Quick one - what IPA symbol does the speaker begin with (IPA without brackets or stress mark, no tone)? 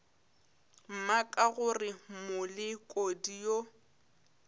m̩